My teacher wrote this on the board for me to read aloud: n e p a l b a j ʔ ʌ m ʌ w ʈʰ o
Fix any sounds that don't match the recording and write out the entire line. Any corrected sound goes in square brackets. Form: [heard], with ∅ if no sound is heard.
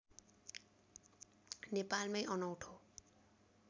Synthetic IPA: n e p a l [m] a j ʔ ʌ [n] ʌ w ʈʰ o